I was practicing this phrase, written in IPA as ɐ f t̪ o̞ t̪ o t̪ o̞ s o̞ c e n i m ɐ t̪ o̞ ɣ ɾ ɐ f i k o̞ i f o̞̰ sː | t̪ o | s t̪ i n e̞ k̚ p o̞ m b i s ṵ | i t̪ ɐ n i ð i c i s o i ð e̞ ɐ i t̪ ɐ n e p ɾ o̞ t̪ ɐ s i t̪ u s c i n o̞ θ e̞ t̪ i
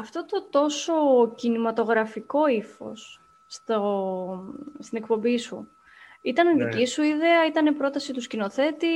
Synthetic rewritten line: ɐ f t̪ o̞ t̪ o t̪ o̞ s o̞ c i n i m ɐ t̪ o̞ ɣ ɾ ɐ f i k o̞ i f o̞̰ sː | t̪ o | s t̪ i n e̞ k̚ p o̞ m b i s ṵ | i t̪ ɐ n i ð i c i s u i ð e̞ ɐ i t̪ ɐ n e p ɾ o̞ t̪ ɐ s i t̪ u s c i n o̞ θ e̞ t̪ i